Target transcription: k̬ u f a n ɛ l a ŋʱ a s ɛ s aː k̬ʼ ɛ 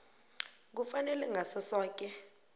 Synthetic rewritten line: k̬ u f a n ɛ l ɛ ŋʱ a s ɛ s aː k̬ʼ ɛ